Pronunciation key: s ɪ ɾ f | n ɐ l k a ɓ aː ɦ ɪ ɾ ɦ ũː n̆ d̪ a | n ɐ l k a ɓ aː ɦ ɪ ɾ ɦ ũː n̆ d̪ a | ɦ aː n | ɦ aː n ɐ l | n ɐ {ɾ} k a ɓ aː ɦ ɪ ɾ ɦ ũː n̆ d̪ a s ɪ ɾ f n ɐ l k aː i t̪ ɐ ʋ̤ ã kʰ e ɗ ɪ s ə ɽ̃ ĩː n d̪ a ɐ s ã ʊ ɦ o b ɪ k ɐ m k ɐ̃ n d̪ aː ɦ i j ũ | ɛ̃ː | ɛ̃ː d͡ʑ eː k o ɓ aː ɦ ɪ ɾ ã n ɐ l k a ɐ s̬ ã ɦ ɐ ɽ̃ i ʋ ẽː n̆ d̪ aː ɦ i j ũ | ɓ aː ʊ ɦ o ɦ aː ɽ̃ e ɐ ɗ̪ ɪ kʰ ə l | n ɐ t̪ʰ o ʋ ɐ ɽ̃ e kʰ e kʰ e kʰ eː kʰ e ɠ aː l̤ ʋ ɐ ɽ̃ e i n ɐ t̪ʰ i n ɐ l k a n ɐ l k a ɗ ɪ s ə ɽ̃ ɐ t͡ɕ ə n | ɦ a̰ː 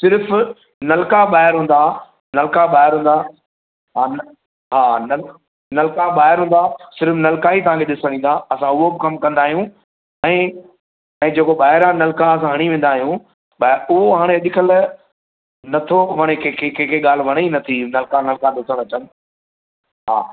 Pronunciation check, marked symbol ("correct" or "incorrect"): incorrect